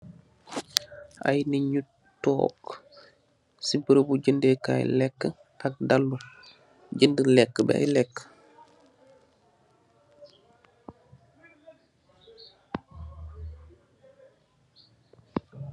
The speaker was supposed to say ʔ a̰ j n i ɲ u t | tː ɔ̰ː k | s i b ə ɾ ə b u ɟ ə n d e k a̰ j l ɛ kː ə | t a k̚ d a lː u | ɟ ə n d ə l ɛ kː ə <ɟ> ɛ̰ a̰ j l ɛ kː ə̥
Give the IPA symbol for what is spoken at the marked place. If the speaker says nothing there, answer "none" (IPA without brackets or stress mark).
b